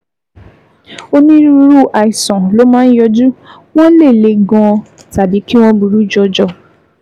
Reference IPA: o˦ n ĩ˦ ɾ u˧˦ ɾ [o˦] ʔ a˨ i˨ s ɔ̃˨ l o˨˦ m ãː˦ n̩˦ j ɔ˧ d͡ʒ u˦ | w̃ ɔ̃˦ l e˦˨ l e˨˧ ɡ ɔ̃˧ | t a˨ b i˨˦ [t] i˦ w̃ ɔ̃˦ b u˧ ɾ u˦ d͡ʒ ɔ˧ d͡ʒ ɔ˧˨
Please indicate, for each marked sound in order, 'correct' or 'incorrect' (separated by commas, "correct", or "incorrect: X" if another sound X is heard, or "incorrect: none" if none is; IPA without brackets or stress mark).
incorrect: u˦, incorrect: k